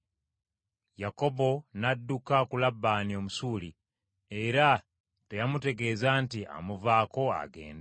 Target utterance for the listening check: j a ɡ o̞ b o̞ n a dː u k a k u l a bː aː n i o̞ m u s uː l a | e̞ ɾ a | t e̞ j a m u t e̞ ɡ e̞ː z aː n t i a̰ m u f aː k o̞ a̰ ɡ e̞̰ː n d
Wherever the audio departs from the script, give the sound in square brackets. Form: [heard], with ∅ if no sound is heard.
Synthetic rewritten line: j a [k] o̞ b o̞ n a dː u k a k u l a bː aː n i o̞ m u s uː l [i] | e̞ ɾ a | t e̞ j a m u t e̞ ɡ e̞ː z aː n t i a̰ m u [v] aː k o̞ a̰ ɡ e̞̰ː n d

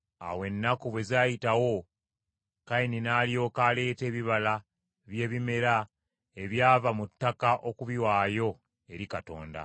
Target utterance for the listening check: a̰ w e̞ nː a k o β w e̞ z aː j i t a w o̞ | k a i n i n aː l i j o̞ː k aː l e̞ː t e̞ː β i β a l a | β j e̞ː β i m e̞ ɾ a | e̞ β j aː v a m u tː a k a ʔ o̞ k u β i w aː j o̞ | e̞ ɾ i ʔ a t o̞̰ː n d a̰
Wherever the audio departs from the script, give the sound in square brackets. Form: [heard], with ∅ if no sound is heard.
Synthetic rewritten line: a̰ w e̞ nː a k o β w e̞ z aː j i t a w o̞ | k a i n i n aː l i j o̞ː k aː l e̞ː t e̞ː β i β a l a | β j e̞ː β i m e̞ ɾ a | e̞ β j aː v a m u tː a k a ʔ o̞ k u β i w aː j o̞ | e̞ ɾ i [k] a t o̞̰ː n d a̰

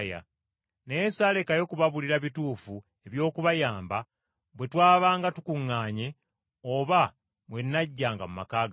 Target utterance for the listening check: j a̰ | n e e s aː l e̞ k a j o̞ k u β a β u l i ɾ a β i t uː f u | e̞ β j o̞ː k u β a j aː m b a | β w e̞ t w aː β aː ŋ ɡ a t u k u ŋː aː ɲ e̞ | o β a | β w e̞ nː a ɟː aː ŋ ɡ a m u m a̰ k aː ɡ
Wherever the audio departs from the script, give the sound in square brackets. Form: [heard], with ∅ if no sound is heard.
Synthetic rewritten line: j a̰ | n e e s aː l e̞ k a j o̞ k u β a β u l i ɾ a β i t uː f u | e̞ β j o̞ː k u β a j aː m b a | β w e̞ t w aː β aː ŋ ɡ a t u k u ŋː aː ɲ e̞ | o β a | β w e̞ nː a ɟː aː ŋ ɡ a m u m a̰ k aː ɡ

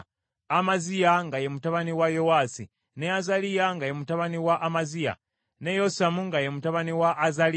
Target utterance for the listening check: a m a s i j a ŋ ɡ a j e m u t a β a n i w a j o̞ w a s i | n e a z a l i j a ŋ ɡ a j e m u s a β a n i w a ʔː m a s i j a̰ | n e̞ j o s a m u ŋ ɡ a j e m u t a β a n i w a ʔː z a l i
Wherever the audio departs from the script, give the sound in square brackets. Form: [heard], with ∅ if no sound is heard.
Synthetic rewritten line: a m a [z] i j a ŋ ɡ a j e m u t a β a n i w a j o̞ w a s i | n e a z a l i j a ŋ ɡ a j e m u [t] a β a n i w a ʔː m a [z] i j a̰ | n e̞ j o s a m u ŋ ɡ a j e m u t a β a n i w a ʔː z a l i

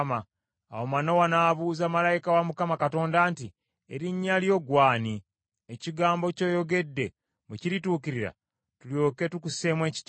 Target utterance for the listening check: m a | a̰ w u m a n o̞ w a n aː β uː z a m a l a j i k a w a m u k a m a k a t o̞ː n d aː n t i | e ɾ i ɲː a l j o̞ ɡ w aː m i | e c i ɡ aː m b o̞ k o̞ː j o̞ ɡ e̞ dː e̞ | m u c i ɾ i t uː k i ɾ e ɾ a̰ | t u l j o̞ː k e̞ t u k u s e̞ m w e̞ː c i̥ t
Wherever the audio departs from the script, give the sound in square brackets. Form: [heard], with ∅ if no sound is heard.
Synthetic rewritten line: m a | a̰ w [o] m a n o̞ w a n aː β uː z a m a l a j i k a w a m u k a m a k a t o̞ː n d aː n t i | e ɾ i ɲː a l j o̞ ɡ w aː [n] i | e c i ɡ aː m b o̞ [c] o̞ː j o̞ ɡ e̞ dː e̞ | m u c i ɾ i t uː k i ɾ [i] ɾ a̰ | t u l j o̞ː k e̞ t u k u s e̞ m w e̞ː c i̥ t

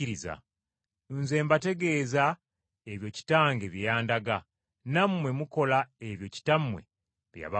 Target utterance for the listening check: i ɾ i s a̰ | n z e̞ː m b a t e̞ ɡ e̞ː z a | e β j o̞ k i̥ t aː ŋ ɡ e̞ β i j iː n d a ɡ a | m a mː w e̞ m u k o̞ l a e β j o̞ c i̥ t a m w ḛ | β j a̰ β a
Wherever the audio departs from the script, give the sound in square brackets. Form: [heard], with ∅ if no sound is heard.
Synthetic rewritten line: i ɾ i [z] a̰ | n z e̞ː m b a t e̞ ɡ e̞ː z a | e β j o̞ [c] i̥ t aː ŋ ɡ e̞ β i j [aː] n d a ɡ a | [n] a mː w e̞ m u k o̞ l a e β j o̞ c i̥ t a m w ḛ | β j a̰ β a

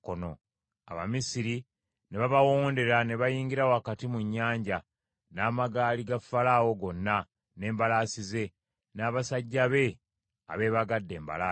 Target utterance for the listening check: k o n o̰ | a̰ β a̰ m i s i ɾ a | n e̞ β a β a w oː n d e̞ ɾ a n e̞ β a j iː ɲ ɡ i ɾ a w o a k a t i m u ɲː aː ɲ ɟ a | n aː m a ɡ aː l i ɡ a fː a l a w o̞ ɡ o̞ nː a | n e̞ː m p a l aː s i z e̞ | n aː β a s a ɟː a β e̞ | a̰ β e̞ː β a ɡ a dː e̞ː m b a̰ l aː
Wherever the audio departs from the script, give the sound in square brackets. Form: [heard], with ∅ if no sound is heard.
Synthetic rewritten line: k o n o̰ | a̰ β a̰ m i s i ɾ [i] | n e̞ β a β a w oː n d e̞ ɾ a n e̞ β a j iː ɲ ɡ i ɾ a w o a k a t i m u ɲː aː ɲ ɟ a | n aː m a ɡ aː l i ɡ a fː a l a w o̞ ɡ o̞ nː a | n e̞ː m [b] a l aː s i z e̞ | n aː β a s a ɟː a β e̞ | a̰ β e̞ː β a ɡ a dː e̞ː m b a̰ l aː

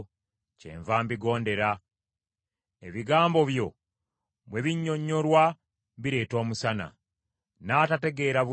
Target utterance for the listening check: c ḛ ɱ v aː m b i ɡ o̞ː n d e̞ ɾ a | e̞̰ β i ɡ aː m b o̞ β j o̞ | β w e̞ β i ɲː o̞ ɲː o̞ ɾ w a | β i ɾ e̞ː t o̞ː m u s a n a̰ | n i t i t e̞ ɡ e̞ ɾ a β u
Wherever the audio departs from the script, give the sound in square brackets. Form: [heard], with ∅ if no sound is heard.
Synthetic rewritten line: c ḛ ɱ v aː m b i ɡ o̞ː n d e̞ ɾ a | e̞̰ β i ɡ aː m b o̞ β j o̞ | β w e̞ β i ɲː o̞ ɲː o̞ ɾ w a | β i ɾ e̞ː t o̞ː m u s a n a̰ | n [a] t [a] t e̞ ɡ e̞ ɾ a β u

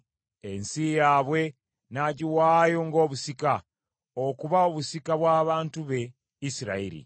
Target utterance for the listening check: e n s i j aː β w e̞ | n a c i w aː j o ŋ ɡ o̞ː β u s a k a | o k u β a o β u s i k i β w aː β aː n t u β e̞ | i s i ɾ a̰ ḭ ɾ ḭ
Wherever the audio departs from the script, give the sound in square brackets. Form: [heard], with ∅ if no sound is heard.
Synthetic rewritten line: e n s i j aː β w e̞ | n a [ɟ] i w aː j o ŋ ɡ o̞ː β u s [i] k a | o k u β a o β u s i k [a] β w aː β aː n t u β e̞ | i s i ɾ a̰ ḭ ɾ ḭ

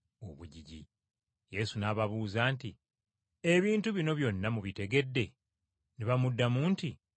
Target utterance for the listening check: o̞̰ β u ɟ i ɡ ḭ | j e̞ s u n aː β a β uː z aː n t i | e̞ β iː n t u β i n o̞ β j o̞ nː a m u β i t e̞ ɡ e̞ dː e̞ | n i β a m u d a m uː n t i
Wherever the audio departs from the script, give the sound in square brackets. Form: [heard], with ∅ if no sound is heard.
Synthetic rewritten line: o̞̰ β u ɟ i [ɟ] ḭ | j e̞ s u n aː β a β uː z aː n t i | e̞ β iː n t u β i n o̞ β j o̞ nː a m u β i t e̞ ɡ e̞ dː e̞ | n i β a m u [dː] a m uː n t i

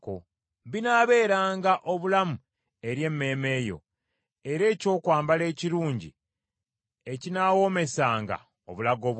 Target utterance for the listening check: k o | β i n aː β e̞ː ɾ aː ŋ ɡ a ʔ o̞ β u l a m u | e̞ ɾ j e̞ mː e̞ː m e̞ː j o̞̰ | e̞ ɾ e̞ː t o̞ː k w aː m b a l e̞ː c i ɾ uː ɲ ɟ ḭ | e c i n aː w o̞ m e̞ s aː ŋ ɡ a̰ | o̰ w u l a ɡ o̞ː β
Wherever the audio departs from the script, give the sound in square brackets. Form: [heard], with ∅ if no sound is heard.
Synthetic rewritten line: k o | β i n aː β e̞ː ɾ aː ŋ ɡ a ʔ o̞ β u l a m u | e̞ ɾ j e̞ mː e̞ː m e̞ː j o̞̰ | e̞ ɾ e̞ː [c] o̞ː k w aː m b a l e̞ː c i ɾ uː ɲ ɟ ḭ | e c i n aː w o̞ m e̞ s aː ŋ ɡ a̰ | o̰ [β] u l a ɡ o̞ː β

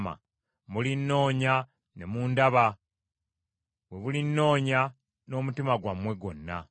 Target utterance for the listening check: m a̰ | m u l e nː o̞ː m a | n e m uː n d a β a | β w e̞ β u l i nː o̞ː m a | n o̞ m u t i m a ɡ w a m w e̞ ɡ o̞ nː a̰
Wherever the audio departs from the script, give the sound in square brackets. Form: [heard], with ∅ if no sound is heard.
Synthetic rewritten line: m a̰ | m u l [i] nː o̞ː [ɲ] a | n e m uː n d a β a | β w e̞ β u l i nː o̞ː [ɲ] a | n o̞ m u t i m a ɡ w a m w e̞ ɡ o̞ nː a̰

